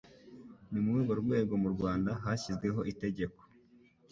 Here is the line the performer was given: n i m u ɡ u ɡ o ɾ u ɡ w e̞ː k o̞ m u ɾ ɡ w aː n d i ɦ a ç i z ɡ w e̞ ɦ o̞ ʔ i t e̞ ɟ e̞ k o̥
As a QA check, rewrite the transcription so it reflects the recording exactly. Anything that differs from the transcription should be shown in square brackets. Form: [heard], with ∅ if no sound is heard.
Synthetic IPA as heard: n i m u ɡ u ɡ o ɾ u ɡ w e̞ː [ɡ] o̞ m u ɾ ɡ w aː n d [a] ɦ a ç i z ɡ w e̞ ɦ o̞ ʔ i t e̞ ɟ e̞ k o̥